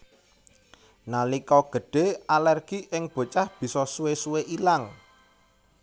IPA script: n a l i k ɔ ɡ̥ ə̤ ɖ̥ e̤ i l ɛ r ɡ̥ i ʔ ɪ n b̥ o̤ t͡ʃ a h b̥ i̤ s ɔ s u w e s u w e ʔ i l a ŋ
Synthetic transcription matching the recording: n a l i k ɔ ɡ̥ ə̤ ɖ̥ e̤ a l ɛ r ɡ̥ i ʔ ɪ ŋ b̥ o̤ t͡ʃ a h b̥ i̤ s ɔ s u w e s u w e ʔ i l a ŋ